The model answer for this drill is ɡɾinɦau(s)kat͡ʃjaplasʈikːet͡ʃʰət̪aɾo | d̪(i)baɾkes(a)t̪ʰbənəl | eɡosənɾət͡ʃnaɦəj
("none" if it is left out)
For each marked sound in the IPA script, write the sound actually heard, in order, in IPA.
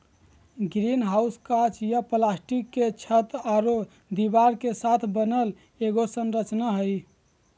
s, i, a

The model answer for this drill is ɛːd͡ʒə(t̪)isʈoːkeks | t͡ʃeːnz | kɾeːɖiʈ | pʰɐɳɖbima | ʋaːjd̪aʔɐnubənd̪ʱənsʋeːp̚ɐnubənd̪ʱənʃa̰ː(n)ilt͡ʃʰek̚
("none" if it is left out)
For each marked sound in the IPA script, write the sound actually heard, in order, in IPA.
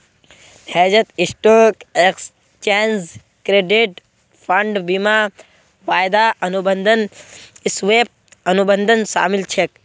t̪, m

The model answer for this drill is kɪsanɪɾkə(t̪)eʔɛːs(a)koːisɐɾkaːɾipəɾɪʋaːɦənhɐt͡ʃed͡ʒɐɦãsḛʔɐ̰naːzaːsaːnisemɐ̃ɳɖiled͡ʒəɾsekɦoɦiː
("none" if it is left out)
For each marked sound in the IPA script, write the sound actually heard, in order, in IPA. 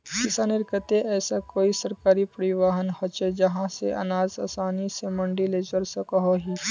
t̪, a

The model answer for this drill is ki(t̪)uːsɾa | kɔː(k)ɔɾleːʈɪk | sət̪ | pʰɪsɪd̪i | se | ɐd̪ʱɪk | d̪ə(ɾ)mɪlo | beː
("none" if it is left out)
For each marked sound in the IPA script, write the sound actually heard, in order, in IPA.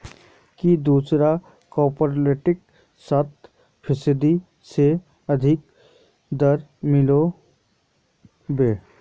d̪, p, ɾ

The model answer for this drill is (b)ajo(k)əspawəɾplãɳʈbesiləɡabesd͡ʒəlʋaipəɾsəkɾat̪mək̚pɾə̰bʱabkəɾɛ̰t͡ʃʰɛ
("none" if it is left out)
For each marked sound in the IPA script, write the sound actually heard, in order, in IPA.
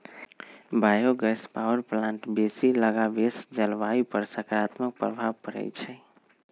b, ɡ

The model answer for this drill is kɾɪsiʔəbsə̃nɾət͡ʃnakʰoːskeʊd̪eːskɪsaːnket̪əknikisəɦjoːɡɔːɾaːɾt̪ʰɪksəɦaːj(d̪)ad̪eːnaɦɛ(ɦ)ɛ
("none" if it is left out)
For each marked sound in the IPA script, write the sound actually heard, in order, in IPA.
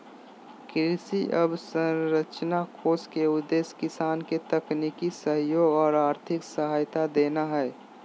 t̪, none

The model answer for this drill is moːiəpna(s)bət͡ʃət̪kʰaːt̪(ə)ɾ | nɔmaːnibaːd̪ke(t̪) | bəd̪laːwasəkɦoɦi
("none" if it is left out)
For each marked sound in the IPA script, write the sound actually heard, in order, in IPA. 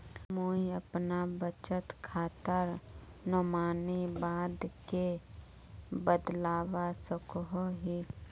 none, ə, none

